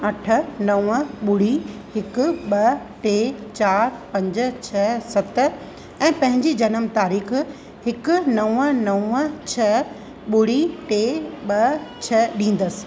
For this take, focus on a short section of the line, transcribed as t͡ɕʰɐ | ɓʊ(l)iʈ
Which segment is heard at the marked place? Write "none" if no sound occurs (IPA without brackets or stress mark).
ɽ